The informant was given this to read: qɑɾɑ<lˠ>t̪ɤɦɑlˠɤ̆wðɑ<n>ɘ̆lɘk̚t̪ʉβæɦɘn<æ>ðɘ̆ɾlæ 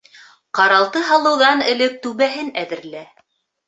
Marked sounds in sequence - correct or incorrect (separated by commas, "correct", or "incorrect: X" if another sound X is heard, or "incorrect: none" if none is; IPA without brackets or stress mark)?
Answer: correct, correct, correct